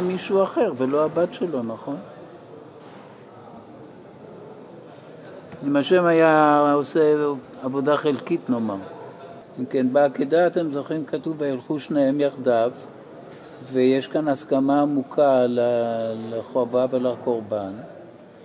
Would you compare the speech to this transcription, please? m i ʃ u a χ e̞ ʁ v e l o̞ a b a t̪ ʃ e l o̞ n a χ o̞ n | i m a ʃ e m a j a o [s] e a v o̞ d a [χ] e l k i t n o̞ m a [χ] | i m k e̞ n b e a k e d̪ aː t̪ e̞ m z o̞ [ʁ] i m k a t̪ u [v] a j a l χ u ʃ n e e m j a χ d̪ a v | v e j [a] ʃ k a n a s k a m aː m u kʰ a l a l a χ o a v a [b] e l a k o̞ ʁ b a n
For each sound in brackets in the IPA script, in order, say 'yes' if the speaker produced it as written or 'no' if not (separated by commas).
yes, yes, no, no, yes, no, no